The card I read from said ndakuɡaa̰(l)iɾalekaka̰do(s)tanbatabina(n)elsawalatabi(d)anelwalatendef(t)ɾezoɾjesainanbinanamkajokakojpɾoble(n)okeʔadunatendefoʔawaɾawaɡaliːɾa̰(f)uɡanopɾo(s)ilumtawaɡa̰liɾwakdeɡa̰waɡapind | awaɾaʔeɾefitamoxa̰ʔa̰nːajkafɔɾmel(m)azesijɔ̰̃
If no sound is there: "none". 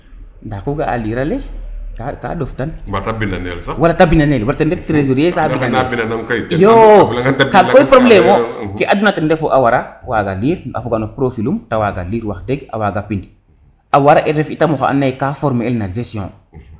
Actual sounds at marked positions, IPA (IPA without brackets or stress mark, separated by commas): l, f, n, n, t, m, f, f, n